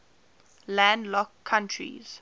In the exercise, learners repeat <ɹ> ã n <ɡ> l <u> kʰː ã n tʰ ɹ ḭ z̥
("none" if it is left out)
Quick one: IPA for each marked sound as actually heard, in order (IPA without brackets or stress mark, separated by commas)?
l, d, ɔ